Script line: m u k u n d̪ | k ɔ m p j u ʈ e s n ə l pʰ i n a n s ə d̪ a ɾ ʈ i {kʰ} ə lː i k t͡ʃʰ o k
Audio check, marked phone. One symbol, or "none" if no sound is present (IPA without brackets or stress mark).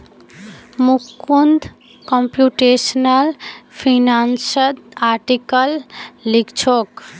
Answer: k